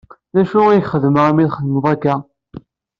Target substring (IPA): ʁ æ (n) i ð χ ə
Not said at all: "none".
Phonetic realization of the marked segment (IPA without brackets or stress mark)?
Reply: m